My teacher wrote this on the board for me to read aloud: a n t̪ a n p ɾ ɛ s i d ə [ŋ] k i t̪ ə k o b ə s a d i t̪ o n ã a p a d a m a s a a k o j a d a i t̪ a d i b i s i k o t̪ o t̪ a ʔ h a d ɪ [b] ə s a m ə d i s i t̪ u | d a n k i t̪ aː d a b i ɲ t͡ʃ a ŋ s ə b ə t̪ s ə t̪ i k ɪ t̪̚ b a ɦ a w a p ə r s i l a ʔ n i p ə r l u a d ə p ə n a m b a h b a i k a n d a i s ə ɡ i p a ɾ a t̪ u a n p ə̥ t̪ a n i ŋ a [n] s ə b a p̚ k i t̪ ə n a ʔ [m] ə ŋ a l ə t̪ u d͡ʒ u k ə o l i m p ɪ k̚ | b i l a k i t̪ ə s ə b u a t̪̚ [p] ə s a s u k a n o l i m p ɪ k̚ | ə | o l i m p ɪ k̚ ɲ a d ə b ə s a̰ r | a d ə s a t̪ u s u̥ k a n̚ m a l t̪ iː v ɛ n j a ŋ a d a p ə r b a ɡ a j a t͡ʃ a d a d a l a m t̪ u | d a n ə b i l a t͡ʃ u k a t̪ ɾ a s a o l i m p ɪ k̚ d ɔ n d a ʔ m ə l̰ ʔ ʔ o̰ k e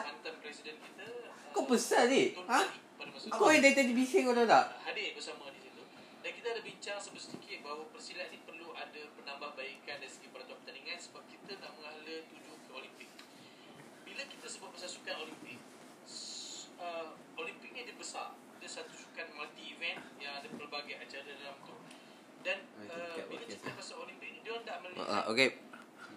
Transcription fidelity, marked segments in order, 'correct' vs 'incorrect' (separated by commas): incorrect, correct, correct, correct, incorrect